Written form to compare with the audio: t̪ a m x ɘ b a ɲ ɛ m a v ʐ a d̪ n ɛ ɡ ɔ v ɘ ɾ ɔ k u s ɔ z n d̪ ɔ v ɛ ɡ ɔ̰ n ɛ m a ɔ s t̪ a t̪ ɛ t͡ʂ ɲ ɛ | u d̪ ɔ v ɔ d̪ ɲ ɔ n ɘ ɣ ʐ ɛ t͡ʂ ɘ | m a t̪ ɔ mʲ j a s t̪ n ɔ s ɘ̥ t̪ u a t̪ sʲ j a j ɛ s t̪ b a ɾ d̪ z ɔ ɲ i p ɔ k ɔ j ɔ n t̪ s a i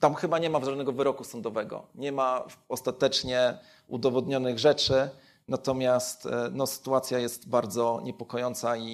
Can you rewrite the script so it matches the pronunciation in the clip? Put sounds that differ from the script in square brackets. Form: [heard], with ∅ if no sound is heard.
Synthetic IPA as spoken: t̪ a m x ɘ b a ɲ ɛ m a v ʐ a d̪ n ɛ ɡ ɔ v ɘ ɾ ɔ k u s ɔ [∅] n d̪ ɔ v ɛ ɡ ɔ̰ [ɲ] ɛ m a ɔ s t̪ a t̪ ɛ t͡ʂ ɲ ɛ | u d̪ ɔ v ɔ d̪ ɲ ɔ n ɘ ɣ ʐ ɛ t͡ʂ ɘ | [n] a t̪ ɔ mʲ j a s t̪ n ɔ s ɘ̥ t̪ u a t̪ sʲ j a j ɛ s t̪ b a ɾ d̪ z ɔ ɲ [ɛ] p ɔ k ɔ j ɔ n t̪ s a i